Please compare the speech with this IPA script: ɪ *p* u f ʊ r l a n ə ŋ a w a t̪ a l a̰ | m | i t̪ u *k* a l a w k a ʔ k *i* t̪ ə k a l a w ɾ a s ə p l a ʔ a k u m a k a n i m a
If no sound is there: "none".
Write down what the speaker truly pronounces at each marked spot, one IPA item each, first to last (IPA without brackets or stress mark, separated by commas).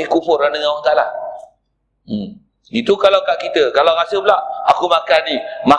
k, k, i